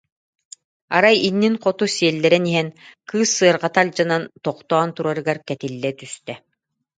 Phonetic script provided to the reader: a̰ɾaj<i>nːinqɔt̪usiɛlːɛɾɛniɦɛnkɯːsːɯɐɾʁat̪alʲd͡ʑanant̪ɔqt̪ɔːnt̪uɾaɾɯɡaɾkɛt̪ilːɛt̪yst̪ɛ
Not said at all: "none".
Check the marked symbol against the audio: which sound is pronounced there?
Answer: i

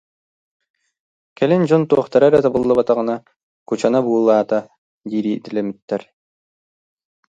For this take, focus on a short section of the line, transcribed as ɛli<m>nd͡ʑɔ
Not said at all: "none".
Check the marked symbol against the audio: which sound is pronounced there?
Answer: none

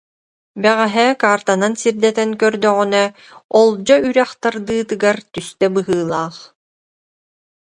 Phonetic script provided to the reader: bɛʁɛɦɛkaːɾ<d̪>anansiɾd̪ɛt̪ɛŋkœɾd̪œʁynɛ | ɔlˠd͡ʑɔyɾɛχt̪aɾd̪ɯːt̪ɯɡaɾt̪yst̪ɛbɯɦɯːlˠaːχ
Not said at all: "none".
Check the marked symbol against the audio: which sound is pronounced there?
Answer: t̪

